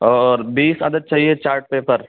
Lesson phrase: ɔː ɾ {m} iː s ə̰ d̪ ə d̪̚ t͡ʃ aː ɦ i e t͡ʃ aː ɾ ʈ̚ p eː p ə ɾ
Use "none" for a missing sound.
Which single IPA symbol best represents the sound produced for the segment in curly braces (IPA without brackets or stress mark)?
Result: b